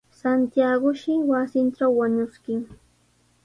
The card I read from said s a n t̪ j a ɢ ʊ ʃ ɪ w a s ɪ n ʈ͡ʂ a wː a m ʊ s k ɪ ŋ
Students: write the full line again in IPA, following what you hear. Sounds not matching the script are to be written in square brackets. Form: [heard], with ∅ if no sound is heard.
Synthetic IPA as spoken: s a n t̪ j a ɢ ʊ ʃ ɪ w a s ɪ n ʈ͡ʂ a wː a [ɲ] ʊ s k ɪ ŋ